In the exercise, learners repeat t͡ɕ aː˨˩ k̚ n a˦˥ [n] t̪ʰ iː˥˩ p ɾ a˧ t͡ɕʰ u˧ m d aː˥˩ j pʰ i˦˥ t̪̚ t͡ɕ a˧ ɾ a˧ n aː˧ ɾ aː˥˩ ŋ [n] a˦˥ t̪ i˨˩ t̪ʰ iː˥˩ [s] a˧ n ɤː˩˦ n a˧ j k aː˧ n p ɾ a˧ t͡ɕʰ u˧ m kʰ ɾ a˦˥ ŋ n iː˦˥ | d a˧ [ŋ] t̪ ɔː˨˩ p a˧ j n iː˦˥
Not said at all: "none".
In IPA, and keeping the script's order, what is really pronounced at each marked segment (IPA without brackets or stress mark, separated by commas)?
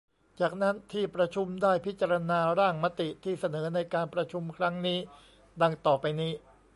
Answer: n, m, s, ŋ